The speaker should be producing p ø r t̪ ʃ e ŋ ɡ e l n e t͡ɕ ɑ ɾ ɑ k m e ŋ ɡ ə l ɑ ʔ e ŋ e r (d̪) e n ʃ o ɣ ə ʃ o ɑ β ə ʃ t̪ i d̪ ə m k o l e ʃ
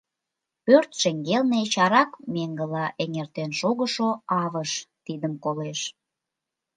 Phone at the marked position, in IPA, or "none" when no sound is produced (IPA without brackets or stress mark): t̪